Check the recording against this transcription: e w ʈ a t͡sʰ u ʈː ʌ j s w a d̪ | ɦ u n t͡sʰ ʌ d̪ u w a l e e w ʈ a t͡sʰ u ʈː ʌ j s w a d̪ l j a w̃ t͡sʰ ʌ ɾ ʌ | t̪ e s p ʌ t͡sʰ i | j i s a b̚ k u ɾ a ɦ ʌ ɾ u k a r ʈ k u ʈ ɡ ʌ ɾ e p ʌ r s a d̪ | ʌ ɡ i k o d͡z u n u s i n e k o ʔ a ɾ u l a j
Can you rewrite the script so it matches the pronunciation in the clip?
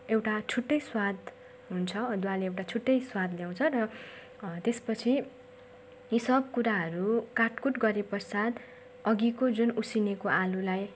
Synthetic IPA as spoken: e w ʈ a t͡sʰ u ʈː ʌ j s w a d̪ | ɦ u n t͡sʰ ʌ d̪ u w a l e e w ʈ a t͡sʰ u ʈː ʌ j s w a d̪ l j a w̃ t͡sʰ ʌ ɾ ʌ | t̪ e s p ʌ t͡sʰ i | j i s ʌ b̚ k u ɾ a ɦ ʌ ɾ u k a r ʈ k u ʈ ɡ ʌ ɾ e p ʌ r s a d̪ | ʌ ɡ i k o d͡z u n u s i n e k o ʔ a l u l a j